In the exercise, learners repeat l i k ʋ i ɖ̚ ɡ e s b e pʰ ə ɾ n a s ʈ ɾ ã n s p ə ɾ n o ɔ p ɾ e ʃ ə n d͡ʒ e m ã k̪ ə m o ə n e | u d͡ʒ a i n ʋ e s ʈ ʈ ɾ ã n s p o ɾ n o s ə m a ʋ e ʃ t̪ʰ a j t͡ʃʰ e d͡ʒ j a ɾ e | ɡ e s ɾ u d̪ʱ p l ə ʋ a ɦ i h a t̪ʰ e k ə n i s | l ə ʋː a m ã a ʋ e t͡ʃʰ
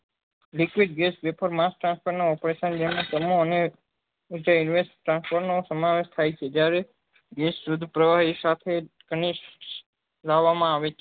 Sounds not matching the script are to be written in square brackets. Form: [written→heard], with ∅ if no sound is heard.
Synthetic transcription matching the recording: l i k ʋ i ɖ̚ ɡ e s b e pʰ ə ɾ [n→m] a s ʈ ɾ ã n s p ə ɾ n o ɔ p ɾ e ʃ ə n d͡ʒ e m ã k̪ ə m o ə n e | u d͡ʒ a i n ʋ e s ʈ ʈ ɾ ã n s p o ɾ n o s ə m a ʋ e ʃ t̪ʰ a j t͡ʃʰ e d͡ʒ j a ɾ e | ɡ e s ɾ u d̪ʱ p [l→ɾ] ə ʋ a ɦ i [h→s] a t̪ʰ e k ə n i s | l [ə→a] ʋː a m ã a ʋ e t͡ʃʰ